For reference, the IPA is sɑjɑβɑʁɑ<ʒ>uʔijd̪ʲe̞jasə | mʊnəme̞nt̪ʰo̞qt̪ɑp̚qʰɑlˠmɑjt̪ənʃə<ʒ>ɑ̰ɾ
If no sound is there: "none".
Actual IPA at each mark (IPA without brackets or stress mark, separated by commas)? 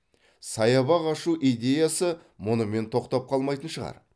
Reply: ʃ, ʁ